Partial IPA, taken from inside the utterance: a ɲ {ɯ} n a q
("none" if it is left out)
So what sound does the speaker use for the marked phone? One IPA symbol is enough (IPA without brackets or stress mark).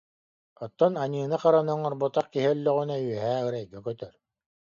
ɯː